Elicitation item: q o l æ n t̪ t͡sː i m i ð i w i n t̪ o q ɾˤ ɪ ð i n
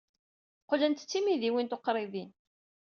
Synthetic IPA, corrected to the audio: q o l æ n t̪ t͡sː i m i ð i w i n t̪ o q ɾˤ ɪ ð i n